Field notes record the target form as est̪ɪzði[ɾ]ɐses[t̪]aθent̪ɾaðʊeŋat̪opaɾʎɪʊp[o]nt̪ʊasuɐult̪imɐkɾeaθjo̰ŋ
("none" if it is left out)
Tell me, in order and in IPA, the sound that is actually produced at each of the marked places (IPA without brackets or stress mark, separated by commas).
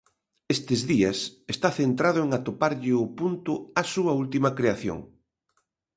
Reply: none, t̪, u